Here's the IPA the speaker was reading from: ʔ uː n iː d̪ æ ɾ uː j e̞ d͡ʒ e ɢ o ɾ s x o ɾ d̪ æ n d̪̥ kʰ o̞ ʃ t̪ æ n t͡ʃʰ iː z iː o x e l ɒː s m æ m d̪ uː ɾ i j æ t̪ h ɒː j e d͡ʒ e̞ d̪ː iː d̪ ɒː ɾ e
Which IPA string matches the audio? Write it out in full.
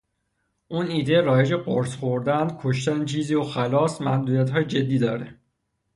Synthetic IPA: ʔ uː n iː d̪ e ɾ ɒː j e̞ d͡ʒ e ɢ o ɾ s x o ɾ d̪ æ n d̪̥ kʰ o̞ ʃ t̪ æ n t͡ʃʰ iː z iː o x æ l ɒː s m æ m d̪ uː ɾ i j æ t̪ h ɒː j e d͡ʒ e̞ d̪ː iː d̪ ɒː ɾ e